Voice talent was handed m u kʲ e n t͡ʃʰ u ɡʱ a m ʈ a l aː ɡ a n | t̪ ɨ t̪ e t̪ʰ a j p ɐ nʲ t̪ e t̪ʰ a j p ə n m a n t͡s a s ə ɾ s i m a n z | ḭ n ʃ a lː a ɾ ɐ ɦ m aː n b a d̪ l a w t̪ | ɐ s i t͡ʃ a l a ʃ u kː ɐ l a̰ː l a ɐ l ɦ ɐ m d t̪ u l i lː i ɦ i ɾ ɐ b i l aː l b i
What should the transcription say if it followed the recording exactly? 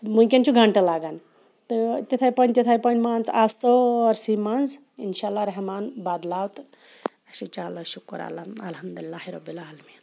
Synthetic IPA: m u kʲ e n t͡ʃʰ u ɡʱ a ɳ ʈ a l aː ɡ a n | t̪ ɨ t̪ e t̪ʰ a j p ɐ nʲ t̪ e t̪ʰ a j p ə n m a n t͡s a s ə ɾ s i m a n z | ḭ n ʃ a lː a ɾ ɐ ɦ m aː n b a d̪ l a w t̪ | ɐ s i t͡ʃ a l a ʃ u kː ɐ ɾ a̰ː l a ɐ l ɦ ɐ m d d̪ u l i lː a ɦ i ɾ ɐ b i l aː l m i

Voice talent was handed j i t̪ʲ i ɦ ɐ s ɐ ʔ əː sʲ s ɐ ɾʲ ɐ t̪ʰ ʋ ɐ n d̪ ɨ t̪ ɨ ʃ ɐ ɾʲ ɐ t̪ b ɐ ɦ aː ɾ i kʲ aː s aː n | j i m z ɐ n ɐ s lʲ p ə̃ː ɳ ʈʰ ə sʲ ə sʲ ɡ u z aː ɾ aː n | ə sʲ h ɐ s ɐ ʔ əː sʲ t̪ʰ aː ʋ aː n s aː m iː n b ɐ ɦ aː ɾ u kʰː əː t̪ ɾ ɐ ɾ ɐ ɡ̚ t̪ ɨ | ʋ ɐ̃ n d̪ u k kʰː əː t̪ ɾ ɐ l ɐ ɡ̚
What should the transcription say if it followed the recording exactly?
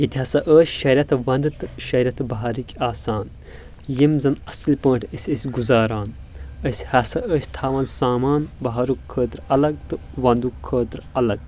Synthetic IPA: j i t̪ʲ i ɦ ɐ s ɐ ʔ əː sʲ ʃ ɐ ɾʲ ɐ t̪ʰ ʋ ɐ n d̪ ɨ t̪ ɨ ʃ ɐ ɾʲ ɐ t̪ b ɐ ɦ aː ɾ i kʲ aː s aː n | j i m z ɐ n ɐ s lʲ p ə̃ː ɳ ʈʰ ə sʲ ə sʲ ɡ u z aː ɾ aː n | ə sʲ h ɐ s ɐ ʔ əː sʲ t̪ʰ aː ʋ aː n s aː m aː n b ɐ ɦ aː ɾ u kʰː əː t̪ ɾ ɐ l ɐ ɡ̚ t̪ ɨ | ʋ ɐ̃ n d̪ u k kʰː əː t̪ ɾ ɐ l ɐ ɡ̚

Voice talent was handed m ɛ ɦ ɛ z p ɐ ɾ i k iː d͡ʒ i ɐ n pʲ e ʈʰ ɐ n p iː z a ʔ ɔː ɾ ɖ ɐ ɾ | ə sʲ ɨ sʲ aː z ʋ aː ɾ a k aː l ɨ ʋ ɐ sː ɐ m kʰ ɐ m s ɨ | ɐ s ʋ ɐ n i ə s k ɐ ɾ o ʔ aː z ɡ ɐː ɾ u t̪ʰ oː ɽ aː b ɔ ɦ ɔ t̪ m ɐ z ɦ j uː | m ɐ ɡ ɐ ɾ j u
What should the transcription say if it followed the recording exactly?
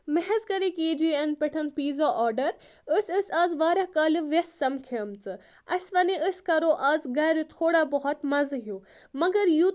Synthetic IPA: m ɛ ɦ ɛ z k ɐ ɾ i k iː d͡ʒ i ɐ n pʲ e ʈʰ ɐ n p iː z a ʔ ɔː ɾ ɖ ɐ ɾ | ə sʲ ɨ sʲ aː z ʋ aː ɾ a k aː l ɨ ʋ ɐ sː ɐ m kʰ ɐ m t͡s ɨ | ɐ s ʋ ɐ n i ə s k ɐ ɾ o ʔ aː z ɡ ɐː ɾ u t̪ʰ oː ɽ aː b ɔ ɦ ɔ t̪ m ɐ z ɦ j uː | m ɐ ɡ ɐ ɾ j u

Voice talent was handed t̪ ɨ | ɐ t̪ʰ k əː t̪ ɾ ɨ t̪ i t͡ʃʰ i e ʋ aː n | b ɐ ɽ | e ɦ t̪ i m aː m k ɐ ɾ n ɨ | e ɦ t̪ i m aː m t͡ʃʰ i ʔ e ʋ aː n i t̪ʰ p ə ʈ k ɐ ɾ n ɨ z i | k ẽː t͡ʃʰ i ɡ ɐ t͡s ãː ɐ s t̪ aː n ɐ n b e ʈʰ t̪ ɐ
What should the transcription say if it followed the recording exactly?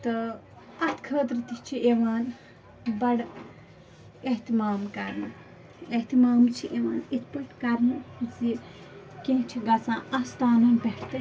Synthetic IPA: t̪ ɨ | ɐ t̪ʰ kʰ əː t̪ ɾ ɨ t̪ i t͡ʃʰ i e ʋ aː n | b ɐ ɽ | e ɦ t̪ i m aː m k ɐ ɾ n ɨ | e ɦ t̪ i m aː m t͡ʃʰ i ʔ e ʋ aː n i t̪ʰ p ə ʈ k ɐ ɾ n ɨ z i | k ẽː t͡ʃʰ i ɡ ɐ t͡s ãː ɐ s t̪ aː n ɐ n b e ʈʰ t̪ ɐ

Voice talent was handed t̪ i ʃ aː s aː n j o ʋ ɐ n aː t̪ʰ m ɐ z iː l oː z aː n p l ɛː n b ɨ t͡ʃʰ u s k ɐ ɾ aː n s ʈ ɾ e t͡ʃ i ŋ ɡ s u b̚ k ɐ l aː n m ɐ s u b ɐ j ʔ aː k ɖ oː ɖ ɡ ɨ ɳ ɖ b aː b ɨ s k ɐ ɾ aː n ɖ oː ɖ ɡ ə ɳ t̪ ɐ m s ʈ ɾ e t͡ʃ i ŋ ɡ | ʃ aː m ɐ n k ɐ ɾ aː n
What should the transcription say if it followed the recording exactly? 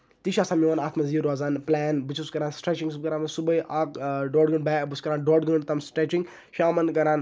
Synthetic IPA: t̪ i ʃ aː s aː m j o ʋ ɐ n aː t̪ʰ m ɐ z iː ɾ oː z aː n p l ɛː n b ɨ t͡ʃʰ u s k ɐ ɾ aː n s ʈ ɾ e t͡ʃ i ŋ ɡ s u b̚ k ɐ ɾ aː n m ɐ s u b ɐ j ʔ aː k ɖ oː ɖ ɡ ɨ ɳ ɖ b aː b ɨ s k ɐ ɾ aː n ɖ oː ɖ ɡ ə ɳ t̪ ɐ m s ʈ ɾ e t͡ʃ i ŋ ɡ | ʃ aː m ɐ n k ɐ ɾ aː n

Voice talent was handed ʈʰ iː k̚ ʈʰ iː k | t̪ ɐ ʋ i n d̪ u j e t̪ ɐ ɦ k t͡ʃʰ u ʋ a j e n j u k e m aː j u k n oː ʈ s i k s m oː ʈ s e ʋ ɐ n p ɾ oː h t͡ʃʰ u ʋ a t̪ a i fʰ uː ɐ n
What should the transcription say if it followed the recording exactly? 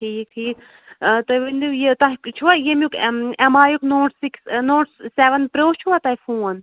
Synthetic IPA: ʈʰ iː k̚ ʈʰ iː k | t̪ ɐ ʋ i n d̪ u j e t̪ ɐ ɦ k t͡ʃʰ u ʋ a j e m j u k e m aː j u k n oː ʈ s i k s n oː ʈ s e ʋ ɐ n p ɾ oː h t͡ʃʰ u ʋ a t̪ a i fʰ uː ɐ n

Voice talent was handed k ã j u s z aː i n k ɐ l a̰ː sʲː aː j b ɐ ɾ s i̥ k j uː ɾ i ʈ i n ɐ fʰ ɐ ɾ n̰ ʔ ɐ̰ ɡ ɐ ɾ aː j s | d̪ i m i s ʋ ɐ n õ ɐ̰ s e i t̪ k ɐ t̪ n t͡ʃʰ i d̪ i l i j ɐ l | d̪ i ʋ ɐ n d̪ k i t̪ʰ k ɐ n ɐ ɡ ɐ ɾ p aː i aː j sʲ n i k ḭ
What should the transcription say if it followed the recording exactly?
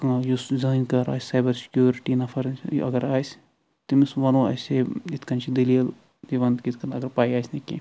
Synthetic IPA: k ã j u s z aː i n k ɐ ɾ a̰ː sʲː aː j b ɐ ɾ s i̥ k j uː ɾ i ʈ i n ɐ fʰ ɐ ɾ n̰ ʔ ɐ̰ ɡ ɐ ɾ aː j s | t̪ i m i s ʋ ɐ n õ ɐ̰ s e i t̪ k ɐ n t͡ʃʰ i d̪ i l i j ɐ l | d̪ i ʋ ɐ n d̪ k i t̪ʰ k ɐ n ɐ ɡ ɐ ɾ p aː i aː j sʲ n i k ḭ

